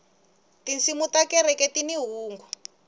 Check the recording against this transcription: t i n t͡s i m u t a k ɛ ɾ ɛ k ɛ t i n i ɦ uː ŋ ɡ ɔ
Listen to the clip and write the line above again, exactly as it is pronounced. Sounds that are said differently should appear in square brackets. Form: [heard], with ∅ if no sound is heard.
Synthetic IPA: t i n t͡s i m u t a k ɛ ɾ ɛ k ɛ t i n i ɦ uː ŋ ɡ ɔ